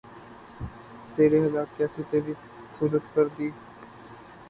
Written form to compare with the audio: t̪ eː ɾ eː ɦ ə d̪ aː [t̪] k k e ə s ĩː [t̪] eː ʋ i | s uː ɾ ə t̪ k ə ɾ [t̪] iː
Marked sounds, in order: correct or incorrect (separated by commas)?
incorrect, correct, incorrect